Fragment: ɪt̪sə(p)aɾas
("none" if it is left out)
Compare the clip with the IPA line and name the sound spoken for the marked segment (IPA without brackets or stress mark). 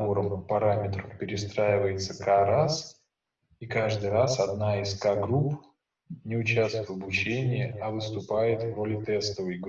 k